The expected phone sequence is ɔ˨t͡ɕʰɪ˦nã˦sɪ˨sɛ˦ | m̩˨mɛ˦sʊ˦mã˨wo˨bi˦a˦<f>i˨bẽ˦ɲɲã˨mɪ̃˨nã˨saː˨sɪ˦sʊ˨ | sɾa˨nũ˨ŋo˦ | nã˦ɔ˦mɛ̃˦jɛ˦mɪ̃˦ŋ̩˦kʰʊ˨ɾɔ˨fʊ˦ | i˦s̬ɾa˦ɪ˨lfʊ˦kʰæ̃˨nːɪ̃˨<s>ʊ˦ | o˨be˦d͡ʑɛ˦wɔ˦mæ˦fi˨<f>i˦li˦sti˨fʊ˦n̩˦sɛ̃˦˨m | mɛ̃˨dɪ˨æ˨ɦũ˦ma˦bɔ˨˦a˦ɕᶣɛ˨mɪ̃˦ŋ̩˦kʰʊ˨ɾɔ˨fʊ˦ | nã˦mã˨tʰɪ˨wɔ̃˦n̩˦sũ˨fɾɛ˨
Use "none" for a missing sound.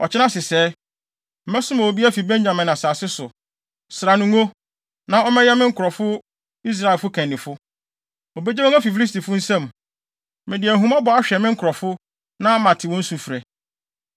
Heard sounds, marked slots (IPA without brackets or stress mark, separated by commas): f, f, f